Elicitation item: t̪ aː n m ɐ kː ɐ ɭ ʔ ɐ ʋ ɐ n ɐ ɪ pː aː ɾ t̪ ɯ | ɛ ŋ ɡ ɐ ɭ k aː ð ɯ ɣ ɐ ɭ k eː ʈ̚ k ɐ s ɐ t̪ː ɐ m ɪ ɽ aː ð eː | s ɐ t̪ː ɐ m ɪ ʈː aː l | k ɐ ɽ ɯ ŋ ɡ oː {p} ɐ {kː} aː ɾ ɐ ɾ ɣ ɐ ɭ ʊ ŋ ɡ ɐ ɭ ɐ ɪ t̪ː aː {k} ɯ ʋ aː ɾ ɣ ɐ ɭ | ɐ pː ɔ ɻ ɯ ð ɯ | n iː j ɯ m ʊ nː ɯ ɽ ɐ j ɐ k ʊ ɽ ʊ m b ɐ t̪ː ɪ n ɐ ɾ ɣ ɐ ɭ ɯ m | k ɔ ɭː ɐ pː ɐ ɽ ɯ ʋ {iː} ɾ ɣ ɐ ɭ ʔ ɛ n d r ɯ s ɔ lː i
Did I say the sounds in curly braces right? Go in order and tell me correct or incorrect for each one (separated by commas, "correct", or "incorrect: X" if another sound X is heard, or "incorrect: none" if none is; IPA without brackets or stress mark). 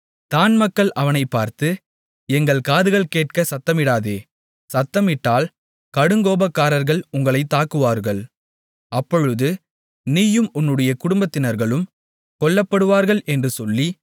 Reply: incorrect: b, correct, correct, incorrect: aː